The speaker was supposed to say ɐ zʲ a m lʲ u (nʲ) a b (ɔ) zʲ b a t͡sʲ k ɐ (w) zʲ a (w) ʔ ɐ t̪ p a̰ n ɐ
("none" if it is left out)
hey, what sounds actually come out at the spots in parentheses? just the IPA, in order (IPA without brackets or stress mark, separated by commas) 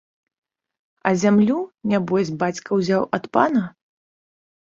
nʲ, ɔ, w, w